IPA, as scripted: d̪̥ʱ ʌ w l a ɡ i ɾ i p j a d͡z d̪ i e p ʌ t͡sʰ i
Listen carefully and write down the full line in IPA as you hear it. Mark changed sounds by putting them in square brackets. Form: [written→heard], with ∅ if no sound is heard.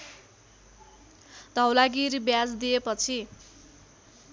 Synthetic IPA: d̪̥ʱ ʌ w l a ɡ i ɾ i [p→b] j a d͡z d̪ i e p ʌ t͡sʰ i

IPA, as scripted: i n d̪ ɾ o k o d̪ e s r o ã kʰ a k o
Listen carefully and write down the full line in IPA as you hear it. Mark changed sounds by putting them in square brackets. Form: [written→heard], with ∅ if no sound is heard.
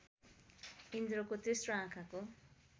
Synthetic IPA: i n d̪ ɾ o k o [d̪→t̪] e s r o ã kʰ a k o

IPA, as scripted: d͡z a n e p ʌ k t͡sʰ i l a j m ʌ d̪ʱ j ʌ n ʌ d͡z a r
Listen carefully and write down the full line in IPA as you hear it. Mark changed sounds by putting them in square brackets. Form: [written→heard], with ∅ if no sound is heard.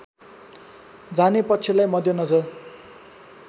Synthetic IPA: d͡z a n e p ʌ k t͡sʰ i l a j m ʌ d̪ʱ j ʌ n ʌ d͡z [a→ʌ] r

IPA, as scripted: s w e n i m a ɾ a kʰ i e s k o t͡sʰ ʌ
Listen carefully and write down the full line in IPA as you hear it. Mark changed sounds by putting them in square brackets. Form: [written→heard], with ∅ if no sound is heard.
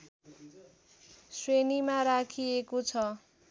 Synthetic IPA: s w e n i m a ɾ a kʰ i e [s→∅] k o t͡sʰ ʌ

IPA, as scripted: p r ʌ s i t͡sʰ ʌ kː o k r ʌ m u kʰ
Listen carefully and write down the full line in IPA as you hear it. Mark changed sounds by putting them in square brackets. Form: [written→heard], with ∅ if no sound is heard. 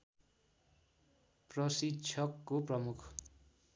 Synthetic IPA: p r ʌ s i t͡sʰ ʌ kː o [k→p] r ʌ m u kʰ

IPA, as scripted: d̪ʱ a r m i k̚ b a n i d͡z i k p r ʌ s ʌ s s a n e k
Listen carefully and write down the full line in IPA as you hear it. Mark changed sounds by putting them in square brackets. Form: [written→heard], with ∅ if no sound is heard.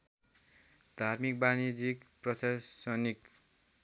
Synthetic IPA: d̪ʱ a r m i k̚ b a n i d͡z i k p r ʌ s [ʌ→a] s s [a→ʌ] n [e→i] k

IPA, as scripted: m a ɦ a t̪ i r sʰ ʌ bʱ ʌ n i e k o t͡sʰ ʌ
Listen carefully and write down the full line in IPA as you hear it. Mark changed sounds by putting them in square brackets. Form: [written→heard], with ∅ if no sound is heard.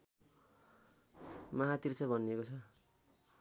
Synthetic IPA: m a ɦ a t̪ i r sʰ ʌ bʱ ʌ n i e k o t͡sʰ ʌ

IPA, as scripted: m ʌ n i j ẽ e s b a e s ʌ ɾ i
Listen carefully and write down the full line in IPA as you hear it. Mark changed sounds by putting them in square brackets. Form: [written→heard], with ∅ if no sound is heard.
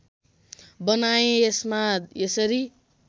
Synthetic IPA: [m→b] ʌ n [i→a] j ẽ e s [b→m] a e s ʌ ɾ i

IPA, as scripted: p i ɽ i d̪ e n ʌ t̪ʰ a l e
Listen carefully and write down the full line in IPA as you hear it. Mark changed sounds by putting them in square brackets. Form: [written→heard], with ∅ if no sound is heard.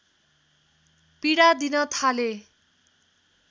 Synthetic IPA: p i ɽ [i→a] d̪ [e→i] n ʌ t̪ʰ a l e

